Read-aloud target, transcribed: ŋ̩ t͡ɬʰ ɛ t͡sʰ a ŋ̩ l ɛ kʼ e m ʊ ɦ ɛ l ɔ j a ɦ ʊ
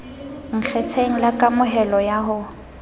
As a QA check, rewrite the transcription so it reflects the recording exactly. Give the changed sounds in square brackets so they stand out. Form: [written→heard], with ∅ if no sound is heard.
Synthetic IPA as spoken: ŋ̩ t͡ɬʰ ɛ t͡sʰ [a→e] ŋ̩ l [ɛ→a] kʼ [e→a] m ʊ ɦ ɛ l ɔ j a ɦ ʊ